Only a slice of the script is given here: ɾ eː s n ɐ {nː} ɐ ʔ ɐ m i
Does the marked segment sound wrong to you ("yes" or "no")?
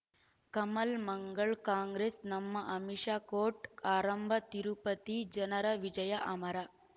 yes